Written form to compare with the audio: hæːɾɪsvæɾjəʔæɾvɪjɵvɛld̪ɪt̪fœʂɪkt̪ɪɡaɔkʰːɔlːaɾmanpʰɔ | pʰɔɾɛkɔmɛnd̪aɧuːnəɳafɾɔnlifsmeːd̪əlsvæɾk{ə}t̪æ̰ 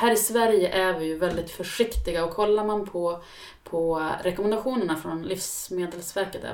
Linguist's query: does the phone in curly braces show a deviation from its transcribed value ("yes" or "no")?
no